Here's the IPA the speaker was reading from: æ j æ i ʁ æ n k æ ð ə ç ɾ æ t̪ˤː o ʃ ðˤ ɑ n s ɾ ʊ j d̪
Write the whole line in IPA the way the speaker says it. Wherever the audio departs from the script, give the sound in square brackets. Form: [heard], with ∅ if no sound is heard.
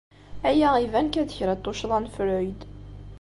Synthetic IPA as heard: æ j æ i [v] æ n k æ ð ə ç ɾ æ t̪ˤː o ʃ ðˤ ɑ n [f] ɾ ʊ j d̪